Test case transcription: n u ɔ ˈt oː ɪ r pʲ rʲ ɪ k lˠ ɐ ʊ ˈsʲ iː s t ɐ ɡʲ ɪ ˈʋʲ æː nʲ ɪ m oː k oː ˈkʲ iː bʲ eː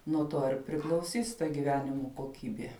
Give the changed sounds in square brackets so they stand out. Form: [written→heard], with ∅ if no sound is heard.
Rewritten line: n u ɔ ˈt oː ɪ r pʲ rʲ ɪ k lˠ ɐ ʊ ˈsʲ iː s t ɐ ɡʲ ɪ ˈʋʲ æː nʲ ɪ m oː k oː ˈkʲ iː bʲ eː